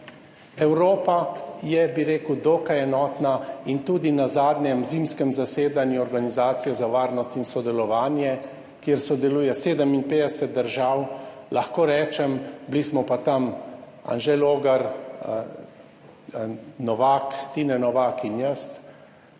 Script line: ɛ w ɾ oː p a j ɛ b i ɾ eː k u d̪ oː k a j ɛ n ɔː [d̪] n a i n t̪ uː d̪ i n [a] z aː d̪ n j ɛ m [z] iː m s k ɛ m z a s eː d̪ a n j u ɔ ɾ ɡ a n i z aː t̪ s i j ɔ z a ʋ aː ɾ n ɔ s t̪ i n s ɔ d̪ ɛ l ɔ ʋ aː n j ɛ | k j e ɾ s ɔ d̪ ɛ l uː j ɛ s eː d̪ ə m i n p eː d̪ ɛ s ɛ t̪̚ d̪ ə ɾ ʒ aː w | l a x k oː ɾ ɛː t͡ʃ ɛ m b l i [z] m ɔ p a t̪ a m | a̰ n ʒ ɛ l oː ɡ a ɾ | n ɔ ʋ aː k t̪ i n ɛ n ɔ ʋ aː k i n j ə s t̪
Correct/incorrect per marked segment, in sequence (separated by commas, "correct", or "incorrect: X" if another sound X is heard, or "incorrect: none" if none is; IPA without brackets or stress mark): incorrect: t̪, correct, correct, incorrect: s